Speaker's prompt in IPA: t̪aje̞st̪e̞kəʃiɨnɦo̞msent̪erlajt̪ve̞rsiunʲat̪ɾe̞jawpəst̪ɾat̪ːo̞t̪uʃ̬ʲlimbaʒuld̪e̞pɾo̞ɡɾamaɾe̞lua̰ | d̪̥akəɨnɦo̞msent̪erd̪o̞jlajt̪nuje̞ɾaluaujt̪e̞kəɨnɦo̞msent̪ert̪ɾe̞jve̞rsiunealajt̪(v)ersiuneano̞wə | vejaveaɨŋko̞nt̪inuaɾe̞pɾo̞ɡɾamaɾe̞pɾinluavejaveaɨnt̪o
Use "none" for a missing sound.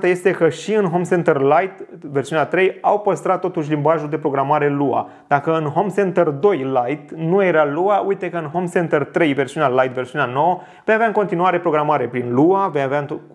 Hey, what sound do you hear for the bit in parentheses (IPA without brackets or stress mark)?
v